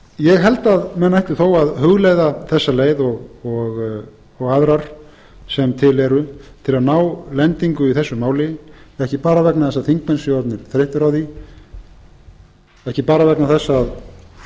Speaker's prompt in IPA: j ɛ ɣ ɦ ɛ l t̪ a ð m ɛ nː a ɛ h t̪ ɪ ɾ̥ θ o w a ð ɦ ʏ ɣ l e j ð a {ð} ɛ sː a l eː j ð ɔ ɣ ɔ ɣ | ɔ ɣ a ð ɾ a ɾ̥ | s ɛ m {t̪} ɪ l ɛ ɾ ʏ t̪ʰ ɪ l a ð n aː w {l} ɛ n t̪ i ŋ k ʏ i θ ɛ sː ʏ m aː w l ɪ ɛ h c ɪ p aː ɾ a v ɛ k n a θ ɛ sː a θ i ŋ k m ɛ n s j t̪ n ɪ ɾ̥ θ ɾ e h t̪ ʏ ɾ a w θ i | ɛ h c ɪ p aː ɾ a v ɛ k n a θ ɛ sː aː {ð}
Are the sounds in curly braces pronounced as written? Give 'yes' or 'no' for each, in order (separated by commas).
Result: no, no, yes, yes